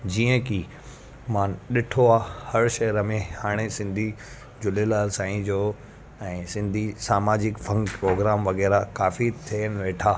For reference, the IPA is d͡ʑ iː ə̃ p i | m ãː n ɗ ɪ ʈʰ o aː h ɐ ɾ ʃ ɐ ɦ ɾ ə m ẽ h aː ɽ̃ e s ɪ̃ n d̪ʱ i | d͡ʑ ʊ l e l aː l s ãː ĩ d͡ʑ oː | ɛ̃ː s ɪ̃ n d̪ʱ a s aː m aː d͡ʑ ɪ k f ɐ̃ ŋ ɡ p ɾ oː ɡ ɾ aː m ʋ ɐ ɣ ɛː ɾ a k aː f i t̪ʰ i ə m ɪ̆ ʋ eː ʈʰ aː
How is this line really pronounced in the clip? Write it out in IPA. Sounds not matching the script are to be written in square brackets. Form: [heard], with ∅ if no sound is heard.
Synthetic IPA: d͡ʑ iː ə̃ [k] i | m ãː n ɗ ɪ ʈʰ o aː h ɐ ɾ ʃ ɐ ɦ ɾ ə m ẽ h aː ɽ̃ e s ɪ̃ n d̪ʱ i | d͡ʑ ʊ l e l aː l s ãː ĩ d͡ʑ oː | ɛ̃ː s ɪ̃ n d̪ʱ [i] s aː m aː d͡ʑ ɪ k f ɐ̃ ŋ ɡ p ɾ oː ɡ ɾ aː m ʋ ɐ ɣ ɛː ɾ a k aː f i t̪ʰ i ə [n] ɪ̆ ʋ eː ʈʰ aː